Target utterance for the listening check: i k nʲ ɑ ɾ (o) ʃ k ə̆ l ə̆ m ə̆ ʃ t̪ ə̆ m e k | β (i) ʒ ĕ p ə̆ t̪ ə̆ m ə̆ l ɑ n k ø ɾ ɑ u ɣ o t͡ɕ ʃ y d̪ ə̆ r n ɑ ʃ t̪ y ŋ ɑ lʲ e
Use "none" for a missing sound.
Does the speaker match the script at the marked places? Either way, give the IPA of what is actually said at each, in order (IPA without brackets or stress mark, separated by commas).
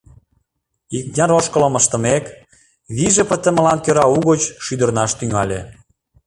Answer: o, i